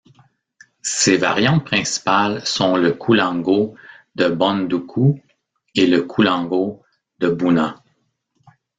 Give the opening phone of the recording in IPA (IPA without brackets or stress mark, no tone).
s